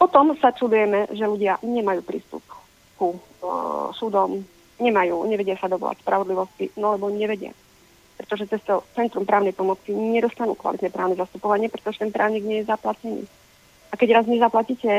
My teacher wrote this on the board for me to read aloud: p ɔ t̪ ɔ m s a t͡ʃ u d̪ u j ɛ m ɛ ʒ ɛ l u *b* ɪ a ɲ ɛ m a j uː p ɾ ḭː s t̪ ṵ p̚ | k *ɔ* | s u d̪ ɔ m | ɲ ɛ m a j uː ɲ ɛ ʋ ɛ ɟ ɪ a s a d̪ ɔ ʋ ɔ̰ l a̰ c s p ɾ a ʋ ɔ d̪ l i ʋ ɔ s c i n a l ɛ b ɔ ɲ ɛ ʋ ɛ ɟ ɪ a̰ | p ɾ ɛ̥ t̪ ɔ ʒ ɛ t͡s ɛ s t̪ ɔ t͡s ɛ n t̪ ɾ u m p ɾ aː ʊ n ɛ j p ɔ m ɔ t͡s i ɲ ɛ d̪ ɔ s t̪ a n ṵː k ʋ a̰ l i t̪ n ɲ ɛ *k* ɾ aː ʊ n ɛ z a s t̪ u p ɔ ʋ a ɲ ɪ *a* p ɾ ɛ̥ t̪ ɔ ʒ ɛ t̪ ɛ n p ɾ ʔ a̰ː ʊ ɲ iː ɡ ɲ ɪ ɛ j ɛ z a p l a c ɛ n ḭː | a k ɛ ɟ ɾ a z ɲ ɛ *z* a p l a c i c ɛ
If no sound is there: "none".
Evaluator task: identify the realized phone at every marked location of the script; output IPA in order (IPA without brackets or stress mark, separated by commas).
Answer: ɟ, u, p, ɛ, z